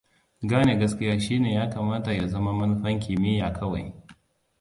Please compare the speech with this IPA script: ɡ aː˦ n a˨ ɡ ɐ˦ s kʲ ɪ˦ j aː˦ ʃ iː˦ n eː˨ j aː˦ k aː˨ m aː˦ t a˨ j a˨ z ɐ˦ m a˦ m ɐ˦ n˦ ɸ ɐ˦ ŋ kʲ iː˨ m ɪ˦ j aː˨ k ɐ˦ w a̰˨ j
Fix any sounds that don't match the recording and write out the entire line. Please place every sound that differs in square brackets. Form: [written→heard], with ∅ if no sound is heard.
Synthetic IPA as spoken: ɡ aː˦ n [a˨→e˨] ɡ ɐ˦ s kʲ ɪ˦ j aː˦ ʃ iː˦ n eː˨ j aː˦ k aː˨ m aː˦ t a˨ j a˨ z ɐ˦ m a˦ m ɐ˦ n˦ ɸ ɐ˦ ŋ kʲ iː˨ m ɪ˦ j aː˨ k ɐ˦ w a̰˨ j